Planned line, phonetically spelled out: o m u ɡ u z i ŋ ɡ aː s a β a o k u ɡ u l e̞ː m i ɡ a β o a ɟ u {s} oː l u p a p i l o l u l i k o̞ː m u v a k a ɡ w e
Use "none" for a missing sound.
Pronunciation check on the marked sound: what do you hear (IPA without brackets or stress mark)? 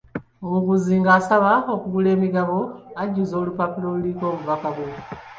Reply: z